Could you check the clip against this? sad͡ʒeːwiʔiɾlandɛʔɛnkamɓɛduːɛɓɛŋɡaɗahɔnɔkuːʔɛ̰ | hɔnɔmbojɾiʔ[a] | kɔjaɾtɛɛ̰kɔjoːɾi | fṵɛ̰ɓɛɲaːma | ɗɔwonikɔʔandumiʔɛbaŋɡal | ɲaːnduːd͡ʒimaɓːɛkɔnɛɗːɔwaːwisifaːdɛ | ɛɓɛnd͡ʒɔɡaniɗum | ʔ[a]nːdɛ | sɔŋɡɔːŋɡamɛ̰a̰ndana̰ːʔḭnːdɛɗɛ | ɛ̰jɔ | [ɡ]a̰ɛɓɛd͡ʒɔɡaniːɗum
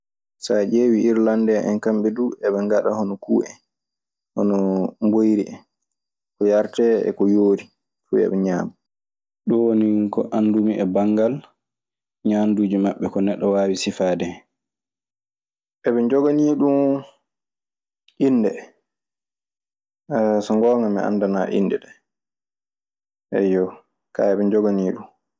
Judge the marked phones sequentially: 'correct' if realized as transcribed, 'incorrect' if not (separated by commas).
incorrect, incorrect, incorrect